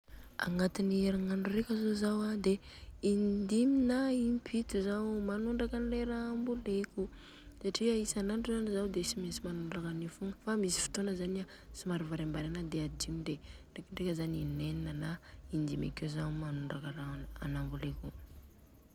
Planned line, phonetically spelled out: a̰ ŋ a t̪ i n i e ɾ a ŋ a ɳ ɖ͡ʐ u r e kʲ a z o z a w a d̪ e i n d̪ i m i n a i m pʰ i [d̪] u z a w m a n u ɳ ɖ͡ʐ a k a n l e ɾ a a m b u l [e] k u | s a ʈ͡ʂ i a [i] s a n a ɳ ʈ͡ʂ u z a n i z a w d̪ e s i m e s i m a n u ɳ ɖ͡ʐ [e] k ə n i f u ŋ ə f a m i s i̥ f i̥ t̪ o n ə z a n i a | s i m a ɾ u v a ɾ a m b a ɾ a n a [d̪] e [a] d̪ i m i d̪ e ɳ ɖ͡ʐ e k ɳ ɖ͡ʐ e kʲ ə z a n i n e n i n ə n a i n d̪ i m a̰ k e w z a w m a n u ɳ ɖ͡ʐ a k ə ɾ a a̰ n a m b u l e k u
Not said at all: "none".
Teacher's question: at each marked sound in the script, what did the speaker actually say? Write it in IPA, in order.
t̪, e, i, a, d̪, a

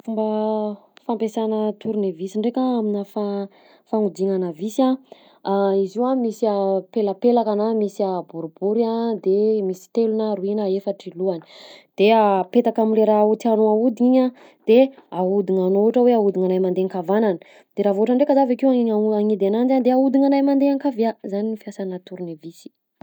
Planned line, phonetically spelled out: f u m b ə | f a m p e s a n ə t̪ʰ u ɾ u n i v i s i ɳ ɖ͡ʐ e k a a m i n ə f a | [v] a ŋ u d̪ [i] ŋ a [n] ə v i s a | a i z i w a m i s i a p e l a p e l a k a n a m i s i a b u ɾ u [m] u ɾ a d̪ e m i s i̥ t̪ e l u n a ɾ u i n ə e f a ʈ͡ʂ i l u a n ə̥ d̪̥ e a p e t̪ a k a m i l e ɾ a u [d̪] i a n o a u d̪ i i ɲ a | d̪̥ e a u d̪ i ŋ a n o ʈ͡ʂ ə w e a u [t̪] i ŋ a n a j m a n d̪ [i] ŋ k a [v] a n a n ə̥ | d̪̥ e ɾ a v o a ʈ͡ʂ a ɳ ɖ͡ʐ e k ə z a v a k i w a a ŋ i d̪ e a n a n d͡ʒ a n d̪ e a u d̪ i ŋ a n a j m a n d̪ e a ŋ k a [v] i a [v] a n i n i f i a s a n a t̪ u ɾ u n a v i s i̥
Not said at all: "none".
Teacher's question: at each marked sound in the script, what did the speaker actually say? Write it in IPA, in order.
f, i, n, b, t̪, d̪, e, v, v, z

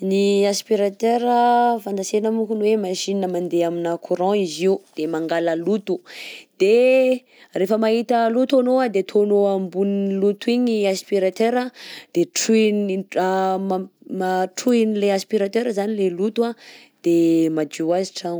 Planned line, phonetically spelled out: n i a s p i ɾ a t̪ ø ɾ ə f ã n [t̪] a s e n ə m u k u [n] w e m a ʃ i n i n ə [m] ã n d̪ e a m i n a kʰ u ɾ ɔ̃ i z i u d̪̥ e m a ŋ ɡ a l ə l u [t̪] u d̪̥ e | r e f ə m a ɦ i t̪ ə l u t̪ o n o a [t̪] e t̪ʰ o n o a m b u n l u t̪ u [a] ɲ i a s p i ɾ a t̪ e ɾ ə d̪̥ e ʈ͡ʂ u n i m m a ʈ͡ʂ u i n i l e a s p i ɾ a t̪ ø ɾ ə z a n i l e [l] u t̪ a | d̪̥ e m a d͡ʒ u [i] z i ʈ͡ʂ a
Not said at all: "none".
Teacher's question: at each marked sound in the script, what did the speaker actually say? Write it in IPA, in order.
d̪, n, m, t̪, d̪, i, l, a

